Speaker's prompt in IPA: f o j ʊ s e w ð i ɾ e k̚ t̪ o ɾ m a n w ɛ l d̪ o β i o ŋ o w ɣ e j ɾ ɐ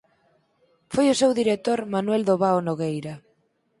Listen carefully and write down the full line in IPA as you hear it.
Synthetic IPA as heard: f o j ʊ s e w ð i ɾ e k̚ t̪ o ɾ m a n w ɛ l d̪ o β a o n o ɣ e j ɾ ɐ